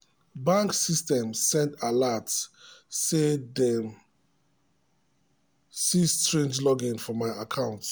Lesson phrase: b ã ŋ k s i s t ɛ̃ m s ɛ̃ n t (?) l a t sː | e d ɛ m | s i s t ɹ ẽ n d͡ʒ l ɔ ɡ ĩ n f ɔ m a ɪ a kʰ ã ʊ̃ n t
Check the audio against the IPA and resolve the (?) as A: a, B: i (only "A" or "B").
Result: A